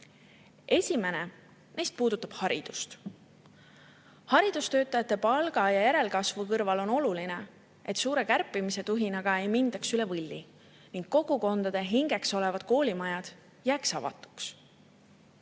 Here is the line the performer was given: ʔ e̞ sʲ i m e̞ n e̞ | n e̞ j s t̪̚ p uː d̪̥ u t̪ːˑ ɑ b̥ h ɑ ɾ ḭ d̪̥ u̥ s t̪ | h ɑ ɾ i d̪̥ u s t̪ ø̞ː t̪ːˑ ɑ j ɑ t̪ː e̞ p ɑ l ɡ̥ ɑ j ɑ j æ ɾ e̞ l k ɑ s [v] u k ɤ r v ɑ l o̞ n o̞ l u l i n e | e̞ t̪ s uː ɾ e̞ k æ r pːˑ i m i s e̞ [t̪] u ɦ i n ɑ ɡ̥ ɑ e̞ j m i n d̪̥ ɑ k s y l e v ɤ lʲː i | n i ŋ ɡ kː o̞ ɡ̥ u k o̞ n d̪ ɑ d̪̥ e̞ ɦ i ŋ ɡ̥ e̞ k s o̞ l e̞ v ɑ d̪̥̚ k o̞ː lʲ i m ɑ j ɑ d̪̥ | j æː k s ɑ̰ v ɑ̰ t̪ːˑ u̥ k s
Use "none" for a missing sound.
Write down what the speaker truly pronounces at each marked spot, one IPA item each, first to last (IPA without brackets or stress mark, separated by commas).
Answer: v, t̪